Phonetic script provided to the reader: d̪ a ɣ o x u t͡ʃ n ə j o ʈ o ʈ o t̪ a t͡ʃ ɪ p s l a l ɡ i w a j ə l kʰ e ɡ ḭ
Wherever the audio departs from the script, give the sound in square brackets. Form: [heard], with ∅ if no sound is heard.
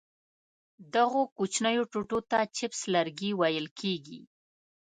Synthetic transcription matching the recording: d̪ a ɣ o [k] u t͡ʃ n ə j o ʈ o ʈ o t̪ a t͡ʃ ɪ p s l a [ɾ] ɡ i w a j ə l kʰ e ɡ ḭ